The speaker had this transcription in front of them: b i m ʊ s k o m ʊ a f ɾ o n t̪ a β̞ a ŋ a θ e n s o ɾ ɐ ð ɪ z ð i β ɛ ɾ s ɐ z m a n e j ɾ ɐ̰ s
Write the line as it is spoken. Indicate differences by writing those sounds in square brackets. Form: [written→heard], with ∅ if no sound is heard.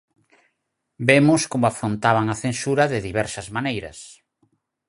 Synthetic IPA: b [i→e] m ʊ s k o m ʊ a f ɾ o n t̪ a β̞ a ŋ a θ e n s [o→u] ɾ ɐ ð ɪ [z→∅] ð i β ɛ ɾ s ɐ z m a n e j ɾ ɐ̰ s